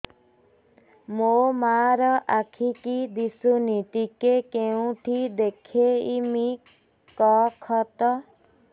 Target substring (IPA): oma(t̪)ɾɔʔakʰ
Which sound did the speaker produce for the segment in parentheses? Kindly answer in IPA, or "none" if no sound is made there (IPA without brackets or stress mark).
none